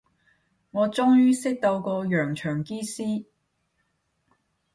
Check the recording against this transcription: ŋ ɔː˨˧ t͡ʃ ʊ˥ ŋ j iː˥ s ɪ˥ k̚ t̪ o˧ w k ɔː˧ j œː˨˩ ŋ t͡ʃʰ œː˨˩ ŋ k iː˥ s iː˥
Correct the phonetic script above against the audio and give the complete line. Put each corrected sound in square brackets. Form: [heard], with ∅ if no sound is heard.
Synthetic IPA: ŋ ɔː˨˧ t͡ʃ ʊ˥ ŋ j [yː˥] s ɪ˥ k̚ t̪ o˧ w k ɔː˧ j œː˨˩ ŋ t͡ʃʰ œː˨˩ ŋ k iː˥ s iː˥